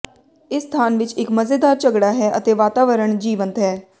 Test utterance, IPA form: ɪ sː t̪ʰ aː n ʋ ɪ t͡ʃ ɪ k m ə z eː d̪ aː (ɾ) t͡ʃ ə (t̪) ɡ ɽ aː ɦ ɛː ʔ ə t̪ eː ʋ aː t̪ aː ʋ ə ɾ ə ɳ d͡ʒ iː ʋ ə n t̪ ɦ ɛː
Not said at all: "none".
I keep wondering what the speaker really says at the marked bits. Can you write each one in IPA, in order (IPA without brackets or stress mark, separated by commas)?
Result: ɾ, none